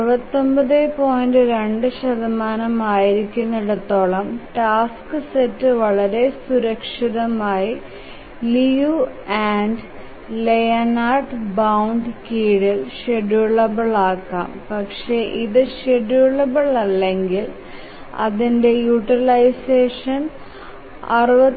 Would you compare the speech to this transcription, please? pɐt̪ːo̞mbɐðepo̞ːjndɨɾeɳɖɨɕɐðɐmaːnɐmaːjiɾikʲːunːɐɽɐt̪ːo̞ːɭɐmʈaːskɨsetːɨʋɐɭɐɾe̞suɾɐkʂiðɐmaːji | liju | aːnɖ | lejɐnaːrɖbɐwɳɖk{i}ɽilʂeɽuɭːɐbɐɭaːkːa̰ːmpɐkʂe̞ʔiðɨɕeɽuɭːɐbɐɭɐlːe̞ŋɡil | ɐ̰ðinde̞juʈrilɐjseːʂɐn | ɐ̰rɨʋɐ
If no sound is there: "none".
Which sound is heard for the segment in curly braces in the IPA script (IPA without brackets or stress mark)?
iː